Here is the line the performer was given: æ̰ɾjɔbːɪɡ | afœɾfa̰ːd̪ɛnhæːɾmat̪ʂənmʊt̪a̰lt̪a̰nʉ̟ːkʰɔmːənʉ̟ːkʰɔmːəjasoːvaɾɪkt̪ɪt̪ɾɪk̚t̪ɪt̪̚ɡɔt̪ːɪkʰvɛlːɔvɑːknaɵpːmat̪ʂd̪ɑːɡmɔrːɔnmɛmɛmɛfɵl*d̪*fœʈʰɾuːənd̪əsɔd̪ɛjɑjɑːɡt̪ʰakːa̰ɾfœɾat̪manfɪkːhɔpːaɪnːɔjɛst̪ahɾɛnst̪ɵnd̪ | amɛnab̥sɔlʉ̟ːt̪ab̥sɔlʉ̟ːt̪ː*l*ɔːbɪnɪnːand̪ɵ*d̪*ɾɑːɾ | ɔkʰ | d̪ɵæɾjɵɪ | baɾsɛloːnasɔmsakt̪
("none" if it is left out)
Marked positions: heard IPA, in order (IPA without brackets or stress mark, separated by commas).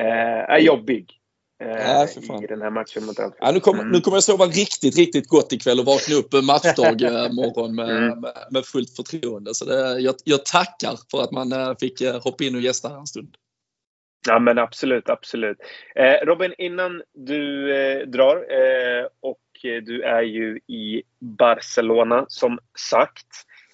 t̪, ɾ, d̪